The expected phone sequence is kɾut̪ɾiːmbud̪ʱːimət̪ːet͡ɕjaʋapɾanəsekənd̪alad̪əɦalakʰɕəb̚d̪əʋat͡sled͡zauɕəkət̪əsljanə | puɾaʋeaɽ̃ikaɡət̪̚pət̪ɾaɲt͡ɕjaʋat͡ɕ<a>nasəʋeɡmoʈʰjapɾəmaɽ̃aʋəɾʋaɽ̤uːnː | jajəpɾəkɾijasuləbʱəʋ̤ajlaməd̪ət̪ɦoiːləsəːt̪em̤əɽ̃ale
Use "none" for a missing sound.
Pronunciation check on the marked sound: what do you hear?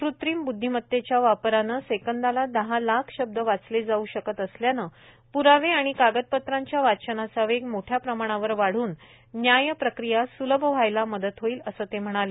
ə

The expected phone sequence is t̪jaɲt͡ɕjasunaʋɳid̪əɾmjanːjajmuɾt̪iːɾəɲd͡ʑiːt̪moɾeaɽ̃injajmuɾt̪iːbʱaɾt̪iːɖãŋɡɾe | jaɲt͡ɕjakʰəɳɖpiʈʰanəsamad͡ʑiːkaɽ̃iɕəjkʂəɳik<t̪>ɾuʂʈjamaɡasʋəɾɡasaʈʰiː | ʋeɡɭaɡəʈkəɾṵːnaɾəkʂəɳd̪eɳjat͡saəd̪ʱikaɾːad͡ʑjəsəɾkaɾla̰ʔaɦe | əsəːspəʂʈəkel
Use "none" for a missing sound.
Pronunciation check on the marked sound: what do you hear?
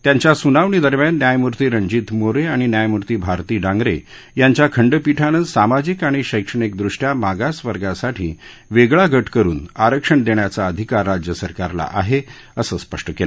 d̪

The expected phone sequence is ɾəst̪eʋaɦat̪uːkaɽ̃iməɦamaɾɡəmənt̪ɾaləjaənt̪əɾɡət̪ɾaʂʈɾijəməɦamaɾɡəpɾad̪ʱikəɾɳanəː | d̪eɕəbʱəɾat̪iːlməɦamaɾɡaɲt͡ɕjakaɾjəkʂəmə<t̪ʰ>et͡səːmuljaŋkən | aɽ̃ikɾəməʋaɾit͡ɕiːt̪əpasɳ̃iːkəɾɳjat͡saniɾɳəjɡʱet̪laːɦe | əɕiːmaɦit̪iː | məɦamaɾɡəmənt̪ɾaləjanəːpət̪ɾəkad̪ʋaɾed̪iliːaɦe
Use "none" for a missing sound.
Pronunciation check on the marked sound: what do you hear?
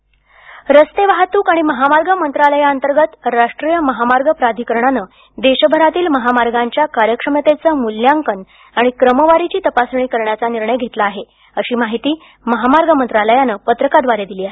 t̪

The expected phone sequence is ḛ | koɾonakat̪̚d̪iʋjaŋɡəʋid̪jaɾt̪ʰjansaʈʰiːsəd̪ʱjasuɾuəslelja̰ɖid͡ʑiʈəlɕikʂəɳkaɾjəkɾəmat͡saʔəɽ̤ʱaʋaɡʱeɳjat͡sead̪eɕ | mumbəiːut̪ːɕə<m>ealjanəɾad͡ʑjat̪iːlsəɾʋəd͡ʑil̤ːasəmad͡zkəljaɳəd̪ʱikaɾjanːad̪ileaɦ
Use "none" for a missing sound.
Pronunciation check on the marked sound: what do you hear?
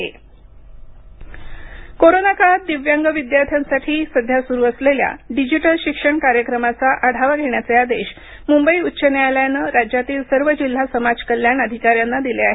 n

